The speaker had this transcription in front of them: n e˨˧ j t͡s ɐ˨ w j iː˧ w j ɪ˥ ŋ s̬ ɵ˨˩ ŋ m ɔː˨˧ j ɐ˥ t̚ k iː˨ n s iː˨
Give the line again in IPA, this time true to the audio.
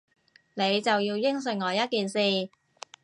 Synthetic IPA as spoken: n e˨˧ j t͡s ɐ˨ w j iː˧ w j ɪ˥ ŋ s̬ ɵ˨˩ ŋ ŋ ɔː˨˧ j ɐ˥ t̚ k iː˨ n s iː˨